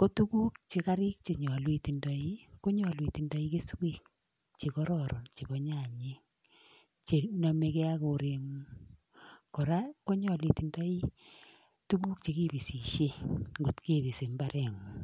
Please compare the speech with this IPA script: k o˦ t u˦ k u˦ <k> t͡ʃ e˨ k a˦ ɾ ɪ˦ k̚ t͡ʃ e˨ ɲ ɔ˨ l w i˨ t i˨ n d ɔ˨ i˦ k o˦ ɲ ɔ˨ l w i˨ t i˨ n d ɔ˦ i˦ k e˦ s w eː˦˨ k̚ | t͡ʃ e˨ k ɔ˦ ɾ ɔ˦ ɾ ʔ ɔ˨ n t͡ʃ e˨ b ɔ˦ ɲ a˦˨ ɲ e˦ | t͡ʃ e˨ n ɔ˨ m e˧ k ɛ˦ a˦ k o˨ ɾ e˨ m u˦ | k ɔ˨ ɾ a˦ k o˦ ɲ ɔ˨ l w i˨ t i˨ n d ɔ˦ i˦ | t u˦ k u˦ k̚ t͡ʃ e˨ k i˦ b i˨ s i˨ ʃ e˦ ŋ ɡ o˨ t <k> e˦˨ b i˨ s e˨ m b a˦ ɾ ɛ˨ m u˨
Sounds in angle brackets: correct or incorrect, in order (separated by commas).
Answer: correct, correct